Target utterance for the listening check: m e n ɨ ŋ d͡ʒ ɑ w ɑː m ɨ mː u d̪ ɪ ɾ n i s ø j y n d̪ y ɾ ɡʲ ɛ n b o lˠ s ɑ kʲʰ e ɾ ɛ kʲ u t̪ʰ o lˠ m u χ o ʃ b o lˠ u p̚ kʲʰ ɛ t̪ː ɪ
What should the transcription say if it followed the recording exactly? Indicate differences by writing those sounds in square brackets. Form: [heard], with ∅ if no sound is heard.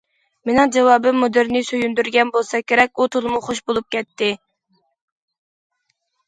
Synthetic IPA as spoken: m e n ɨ ŋ d͡ʒ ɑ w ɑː [b] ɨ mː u d̪ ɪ ɾ n [ɪ] s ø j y n d̪ y ɾ ɡʲ ɛ n b o lˠ s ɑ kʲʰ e ɾ ɛ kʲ u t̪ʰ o lˠ m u χ o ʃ b o lˠ u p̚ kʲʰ ɛ t̪ː ɪ